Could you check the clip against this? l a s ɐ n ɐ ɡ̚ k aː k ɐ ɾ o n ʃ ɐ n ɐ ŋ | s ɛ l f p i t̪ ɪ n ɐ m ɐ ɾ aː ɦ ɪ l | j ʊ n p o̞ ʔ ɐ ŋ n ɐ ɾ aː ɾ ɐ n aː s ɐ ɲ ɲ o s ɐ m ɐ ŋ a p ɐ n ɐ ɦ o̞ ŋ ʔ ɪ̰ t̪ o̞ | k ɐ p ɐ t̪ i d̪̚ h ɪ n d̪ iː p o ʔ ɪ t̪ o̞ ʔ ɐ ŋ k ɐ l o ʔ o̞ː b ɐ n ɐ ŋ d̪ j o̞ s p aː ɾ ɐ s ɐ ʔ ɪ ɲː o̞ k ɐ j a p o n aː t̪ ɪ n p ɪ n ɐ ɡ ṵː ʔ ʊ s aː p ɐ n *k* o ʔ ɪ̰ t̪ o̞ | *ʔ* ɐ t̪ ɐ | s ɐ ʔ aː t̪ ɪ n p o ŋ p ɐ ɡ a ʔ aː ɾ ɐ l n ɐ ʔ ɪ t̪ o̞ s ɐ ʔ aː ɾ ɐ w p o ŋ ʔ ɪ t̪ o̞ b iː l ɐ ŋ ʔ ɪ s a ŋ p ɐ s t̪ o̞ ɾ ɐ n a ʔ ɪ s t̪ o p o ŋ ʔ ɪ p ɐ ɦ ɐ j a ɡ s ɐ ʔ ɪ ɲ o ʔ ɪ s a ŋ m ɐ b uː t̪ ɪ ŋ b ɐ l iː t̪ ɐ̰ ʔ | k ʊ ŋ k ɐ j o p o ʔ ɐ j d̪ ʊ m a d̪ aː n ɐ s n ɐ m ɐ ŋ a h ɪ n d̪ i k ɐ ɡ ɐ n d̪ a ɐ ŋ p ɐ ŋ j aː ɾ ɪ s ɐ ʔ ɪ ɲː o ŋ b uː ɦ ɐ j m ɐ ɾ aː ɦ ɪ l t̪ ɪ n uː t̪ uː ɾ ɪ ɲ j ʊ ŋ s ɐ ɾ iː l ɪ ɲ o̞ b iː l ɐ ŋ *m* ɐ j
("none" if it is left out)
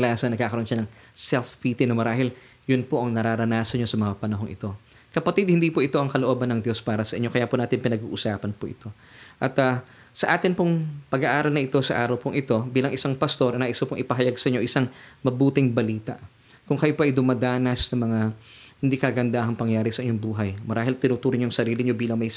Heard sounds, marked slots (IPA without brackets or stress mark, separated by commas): p, ʔ, m